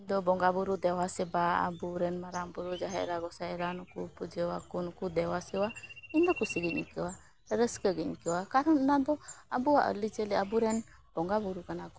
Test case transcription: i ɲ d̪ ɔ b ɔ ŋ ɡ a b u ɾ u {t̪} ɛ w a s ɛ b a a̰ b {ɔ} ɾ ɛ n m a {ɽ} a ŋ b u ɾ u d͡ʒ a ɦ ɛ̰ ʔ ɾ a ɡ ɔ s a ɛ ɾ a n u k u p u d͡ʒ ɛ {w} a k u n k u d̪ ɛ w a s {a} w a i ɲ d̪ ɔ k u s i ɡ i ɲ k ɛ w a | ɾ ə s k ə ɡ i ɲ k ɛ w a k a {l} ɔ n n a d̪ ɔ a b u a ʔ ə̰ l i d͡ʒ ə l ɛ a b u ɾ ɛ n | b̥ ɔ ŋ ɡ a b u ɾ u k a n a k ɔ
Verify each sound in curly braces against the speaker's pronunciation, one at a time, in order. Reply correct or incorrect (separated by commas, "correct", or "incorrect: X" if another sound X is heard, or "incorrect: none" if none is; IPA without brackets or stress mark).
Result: incorrect: d̪, incorrect: u, incorrect: ɾ, correct, incorrect: ɛ, incorrect: ɾ